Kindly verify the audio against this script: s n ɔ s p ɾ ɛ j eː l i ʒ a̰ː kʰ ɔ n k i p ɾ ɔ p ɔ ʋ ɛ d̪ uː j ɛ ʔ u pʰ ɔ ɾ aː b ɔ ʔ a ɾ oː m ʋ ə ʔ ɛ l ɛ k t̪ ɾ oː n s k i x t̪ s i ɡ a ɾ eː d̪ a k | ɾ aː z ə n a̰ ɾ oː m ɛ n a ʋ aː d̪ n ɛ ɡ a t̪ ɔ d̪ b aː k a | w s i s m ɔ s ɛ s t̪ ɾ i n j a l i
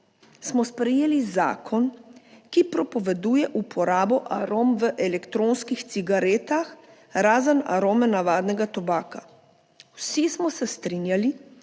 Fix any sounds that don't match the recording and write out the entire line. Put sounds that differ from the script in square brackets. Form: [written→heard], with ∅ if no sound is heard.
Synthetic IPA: s [n→m] ɔ s p ɾ ɛ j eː l i [ʒ→z] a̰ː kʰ ɔ n k i p ɾ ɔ p ɔ ʋ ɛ d̪ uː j ɛ ʔ u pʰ ɔ ɾ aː b ɔ ʔ a ɾ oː m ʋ ə ʔ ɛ l ɛ k t̪ ɾ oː n s k i x t̪ s i ɡ a ɾ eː [d̪→t̪] a [k→x] | ɾ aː z ə n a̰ ɾ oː m ɛ n a ʋ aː d̪ n ɛ ɡ a t̪ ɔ [d̪→∅] b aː k a | w s i s m ɔ s ɛ s t̪ ɾ i n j a l i